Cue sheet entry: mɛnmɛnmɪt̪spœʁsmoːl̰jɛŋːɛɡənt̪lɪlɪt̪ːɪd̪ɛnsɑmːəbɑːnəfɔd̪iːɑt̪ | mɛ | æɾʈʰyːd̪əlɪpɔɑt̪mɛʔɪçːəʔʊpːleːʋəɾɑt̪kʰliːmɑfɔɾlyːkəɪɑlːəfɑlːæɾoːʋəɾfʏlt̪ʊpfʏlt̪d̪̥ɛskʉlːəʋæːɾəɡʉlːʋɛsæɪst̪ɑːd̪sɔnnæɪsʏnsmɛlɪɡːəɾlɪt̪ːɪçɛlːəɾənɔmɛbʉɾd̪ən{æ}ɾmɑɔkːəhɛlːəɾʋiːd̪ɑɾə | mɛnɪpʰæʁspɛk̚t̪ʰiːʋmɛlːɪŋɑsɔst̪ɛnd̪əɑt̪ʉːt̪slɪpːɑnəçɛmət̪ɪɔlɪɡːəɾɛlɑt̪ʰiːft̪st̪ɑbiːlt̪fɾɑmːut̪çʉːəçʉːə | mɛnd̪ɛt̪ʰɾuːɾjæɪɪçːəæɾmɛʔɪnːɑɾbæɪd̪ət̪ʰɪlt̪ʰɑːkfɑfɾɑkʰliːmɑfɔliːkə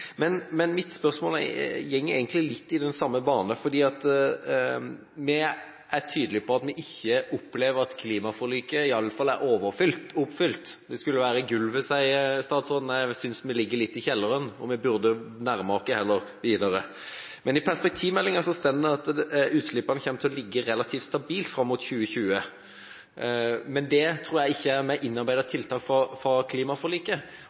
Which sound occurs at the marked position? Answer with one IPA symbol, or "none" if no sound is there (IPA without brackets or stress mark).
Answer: æ